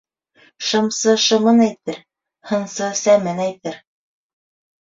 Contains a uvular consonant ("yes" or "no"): no